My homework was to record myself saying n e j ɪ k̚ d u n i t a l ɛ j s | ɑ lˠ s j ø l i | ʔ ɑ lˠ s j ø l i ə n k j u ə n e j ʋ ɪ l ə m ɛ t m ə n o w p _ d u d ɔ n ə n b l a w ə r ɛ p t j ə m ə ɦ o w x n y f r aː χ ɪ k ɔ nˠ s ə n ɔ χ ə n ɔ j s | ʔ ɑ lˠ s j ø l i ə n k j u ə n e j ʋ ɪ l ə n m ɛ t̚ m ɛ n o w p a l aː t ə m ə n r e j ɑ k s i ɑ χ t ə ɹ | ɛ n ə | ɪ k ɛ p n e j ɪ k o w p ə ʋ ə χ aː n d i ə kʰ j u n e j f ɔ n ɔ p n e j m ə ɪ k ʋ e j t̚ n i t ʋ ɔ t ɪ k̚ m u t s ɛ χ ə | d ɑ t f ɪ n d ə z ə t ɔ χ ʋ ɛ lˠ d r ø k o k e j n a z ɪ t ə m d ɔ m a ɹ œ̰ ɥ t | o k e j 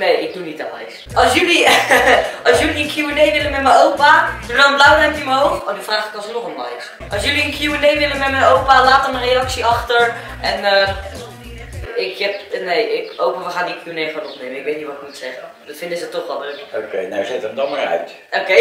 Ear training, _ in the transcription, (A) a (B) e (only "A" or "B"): A